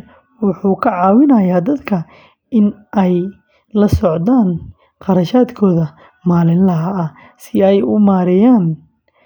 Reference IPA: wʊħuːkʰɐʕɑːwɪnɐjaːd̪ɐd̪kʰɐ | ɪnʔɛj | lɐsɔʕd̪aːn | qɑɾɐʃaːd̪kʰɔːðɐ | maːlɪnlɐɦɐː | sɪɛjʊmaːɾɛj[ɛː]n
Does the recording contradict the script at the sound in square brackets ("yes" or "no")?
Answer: yes